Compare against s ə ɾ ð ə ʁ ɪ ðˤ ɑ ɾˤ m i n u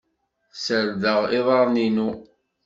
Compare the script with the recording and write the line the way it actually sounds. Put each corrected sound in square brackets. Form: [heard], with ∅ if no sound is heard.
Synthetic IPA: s ə ɾ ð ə ʁ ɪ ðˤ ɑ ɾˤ [n] i n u